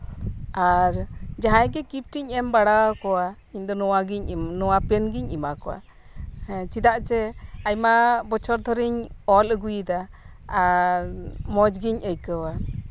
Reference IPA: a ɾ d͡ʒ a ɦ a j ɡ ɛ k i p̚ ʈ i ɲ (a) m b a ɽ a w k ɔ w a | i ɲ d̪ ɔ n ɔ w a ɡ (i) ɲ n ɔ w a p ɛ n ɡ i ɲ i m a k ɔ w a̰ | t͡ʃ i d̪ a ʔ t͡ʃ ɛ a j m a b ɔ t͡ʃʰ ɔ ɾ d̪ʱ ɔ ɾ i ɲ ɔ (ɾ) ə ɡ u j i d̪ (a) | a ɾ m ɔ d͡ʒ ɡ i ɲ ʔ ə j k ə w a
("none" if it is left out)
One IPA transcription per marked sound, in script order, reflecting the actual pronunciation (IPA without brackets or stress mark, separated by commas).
ɛ, i, l, a